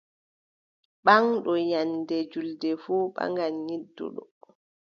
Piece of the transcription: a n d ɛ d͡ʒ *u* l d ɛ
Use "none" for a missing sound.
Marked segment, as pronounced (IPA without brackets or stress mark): u